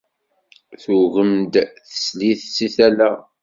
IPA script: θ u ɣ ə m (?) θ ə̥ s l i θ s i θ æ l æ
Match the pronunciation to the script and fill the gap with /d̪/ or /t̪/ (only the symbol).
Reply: d̪